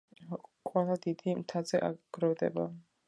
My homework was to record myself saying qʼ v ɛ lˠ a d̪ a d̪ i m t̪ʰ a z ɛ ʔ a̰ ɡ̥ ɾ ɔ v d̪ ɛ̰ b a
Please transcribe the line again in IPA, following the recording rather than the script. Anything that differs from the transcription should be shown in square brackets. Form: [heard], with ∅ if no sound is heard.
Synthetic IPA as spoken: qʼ [w] ɛ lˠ a d̪ [i] d̪ i m t̪ʰ a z ɛ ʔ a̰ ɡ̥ ɾ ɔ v d̪ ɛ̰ b a

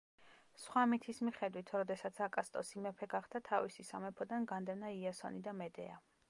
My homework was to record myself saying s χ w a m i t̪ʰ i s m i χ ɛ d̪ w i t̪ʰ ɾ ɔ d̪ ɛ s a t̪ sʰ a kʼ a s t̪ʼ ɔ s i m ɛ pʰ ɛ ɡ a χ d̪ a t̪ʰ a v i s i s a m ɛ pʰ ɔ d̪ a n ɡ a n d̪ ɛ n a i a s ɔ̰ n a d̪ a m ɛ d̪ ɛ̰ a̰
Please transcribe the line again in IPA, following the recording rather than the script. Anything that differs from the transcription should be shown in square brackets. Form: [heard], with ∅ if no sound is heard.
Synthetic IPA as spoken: s χ w a m i t̪ʰ i s m i χ ɛ d̪ w i t̪ʰ ɾ ɔ d̪ ɛ s a t̪ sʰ a kʼ a s t̪ʼ ɔ s i m ɛ pʰ ɛ ɡ a χ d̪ a t̪ʰ a v i s i s a m ɛ pʰ ɔ d̪ a n ɡ a n d̪ ɛ n a i a s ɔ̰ n [i] d̪ a m ɛ d̪ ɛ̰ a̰

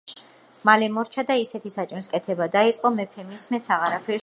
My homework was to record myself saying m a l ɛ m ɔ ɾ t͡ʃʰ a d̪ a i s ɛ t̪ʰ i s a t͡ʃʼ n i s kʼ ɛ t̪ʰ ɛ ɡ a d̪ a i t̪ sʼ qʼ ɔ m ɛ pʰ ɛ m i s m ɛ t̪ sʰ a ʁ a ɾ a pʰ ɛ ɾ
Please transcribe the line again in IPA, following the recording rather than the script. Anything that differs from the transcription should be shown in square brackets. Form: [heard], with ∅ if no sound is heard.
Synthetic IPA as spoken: m a l ɛ m ɔ ɾ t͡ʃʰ a d̪ a i s ɛ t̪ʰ i s a t͡ʃʼ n i s kʼ ɛ t̪ʰ ɛ [b] a d̪ a i t̪ sʼ qʼ ɔ m ɛ pʰ ɛ m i s m ɛ t̪ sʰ a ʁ a ɾ a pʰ ɛ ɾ

